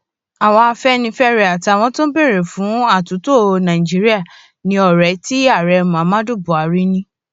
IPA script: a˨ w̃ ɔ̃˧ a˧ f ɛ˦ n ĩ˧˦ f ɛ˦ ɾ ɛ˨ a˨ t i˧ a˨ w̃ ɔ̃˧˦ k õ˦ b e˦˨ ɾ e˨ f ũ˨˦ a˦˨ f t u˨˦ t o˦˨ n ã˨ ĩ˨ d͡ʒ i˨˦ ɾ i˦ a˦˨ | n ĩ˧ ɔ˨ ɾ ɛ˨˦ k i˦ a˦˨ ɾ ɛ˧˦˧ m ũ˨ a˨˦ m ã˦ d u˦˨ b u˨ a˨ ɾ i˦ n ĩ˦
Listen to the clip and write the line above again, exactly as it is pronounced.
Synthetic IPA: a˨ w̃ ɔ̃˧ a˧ f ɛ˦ n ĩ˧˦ f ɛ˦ ɾ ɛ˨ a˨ t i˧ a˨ w̃ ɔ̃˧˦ t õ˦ b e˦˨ ɾ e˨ f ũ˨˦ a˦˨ t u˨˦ t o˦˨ n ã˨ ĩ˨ d͡ʒ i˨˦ ɾ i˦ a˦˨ | n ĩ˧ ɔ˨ ɾ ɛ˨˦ t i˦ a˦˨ ɾ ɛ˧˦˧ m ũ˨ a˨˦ m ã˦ d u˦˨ b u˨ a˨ ɾ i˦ n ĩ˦